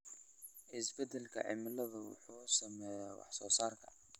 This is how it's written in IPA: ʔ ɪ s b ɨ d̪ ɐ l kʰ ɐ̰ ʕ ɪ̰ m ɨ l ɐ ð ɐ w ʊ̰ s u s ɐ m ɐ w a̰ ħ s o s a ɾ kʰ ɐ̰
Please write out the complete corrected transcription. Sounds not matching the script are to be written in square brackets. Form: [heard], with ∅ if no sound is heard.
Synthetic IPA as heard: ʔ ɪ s b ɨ d̪ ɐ l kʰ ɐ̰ ʕ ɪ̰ m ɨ l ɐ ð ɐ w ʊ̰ [ħ] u s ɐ m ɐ w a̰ ħ s o s a ɾ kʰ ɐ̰